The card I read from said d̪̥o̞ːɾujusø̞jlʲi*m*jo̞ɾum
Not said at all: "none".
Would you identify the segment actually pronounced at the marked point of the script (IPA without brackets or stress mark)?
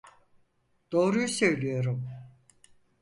none